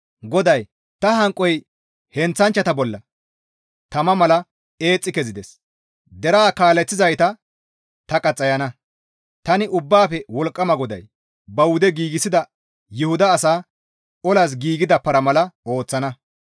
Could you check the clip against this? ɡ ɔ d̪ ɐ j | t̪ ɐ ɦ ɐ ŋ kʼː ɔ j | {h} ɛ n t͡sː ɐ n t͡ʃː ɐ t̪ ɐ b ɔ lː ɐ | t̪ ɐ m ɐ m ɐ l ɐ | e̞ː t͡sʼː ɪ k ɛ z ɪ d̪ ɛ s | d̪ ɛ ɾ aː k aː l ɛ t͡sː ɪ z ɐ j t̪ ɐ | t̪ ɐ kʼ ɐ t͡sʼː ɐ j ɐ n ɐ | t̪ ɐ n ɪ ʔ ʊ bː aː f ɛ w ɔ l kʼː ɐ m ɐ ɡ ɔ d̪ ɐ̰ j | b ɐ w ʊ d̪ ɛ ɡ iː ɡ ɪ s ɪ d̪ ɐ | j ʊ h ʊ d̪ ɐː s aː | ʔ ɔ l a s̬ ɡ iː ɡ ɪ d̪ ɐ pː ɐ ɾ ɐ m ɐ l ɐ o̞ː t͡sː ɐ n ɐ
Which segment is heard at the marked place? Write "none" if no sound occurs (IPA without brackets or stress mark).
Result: h